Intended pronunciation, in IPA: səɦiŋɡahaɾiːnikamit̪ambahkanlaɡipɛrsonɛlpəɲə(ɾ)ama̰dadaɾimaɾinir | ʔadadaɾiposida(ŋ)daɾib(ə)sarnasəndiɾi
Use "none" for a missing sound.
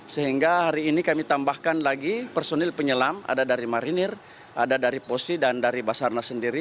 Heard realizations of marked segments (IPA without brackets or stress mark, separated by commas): l, n, a